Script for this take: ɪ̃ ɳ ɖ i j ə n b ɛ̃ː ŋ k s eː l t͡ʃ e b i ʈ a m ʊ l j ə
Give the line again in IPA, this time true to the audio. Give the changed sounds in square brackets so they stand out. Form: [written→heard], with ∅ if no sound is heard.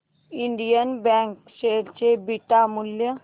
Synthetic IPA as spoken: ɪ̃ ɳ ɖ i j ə n b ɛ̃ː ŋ k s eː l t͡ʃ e b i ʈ a m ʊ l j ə